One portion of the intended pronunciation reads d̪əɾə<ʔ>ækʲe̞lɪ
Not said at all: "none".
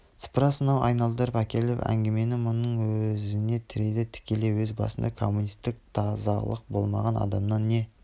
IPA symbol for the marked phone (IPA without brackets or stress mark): p